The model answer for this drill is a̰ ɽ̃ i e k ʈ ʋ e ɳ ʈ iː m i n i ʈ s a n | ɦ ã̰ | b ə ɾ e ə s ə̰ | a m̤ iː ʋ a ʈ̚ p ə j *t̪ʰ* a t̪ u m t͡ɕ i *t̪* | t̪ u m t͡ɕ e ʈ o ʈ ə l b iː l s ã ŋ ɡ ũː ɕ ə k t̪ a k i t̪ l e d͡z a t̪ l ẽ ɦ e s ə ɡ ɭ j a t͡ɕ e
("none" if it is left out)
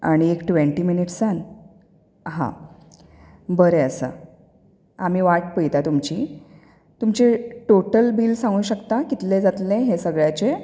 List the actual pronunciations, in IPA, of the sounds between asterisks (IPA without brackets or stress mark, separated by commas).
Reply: t̪, none